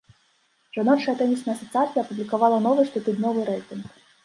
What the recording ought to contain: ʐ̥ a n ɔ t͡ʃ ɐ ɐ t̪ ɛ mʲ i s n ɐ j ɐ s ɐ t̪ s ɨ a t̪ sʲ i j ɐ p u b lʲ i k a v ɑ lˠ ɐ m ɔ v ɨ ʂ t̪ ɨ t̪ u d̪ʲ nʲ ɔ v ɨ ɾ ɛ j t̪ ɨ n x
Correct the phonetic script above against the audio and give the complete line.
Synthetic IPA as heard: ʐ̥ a n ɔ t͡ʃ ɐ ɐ t̪ ɛ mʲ i s n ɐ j ɐ s ɐ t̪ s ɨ a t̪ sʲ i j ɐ p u b lʲ i k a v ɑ lˠ ɐ n ɔ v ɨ ʂ t̪ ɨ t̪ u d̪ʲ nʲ ɔ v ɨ ɾ ɛ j t̪ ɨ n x